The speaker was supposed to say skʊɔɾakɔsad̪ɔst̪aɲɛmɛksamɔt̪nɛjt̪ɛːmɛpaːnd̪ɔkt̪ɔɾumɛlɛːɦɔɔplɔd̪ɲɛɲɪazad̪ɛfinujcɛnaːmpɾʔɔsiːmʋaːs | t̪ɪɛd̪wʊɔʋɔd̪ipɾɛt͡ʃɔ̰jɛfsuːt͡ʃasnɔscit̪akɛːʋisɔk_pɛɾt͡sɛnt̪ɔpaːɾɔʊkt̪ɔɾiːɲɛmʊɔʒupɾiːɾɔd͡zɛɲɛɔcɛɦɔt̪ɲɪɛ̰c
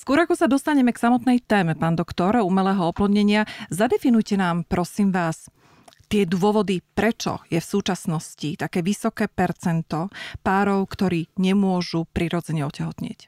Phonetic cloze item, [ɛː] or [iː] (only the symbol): ɛː